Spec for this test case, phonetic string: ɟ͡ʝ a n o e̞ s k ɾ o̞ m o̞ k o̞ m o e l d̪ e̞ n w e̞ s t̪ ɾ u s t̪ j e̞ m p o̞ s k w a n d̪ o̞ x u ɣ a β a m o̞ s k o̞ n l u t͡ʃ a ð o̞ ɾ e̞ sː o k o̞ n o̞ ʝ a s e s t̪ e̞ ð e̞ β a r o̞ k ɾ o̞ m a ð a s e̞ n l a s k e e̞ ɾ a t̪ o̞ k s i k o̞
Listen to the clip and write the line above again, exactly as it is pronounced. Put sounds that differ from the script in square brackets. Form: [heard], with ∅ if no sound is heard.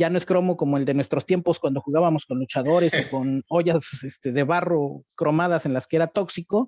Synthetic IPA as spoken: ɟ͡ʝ a n o e̞ s k ɾ o̞ m o̞ k o̞ m o e l d̪ e̞ n w e̞ s t̪ ɾ [o] s t̪ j e̞ m p o̞ s k w a n d̪ o̞ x u ɣ a β a m o̞ s k o̞ n l u t͡ʃ a ð o̞ ɾ e̞ [s] o k o̞ n o̞ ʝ a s e s t̪ e̞ ð e̞ β a r o̞ k ɾ o̞ m a ð a s e̞ n l a s k e e̞ ɾ a t̪ o̞ k s i k o̞